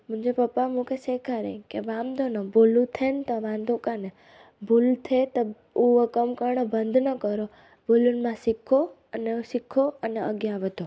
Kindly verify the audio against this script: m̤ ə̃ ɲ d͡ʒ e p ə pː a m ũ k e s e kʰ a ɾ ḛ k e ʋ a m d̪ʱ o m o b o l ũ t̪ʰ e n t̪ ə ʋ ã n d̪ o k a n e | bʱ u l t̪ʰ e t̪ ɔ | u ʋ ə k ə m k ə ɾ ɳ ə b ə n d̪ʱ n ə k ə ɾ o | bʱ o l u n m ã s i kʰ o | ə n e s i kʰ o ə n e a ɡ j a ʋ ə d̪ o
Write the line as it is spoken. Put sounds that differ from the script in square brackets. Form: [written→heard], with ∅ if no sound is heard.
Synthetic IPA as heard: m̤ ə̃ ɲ d͡ʒ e p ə pː a m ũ k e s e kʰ a ɾ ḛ k e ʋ a m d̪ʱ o [m→n] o b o l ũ t̪ʰ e n t̪ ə ʋ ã n d̪ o k a n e | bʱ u l t̪ʰ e t̪ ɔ | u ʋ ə k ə m k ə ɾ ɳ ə b ə n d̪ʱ n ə k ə ɾ o | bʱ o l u n m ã s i kʰ o | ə n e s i kʰ o ə n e [a→ə] ɡ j a ʋ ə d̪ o